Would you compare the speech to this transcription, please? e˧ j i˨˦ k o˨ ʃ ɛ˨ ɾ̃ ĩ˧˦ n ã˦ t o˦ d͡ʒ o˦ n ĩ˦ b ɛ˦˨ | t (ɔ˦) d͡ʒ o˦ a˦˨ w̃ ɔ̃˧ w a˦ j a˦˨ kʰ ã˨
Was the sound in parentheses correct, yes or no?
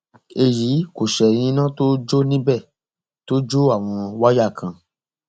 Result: no